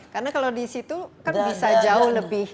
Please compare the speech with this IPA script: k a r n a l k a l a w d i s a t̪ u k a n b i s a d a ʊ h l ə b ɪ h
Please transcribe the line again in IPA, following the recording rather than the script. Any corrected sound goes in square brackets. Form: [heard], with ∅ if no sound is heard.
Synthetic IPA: k a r n a [∅] k a l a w d i s [i] t̪ u k a n b i s a [d͡ʒ] a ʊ h l ə b ɪ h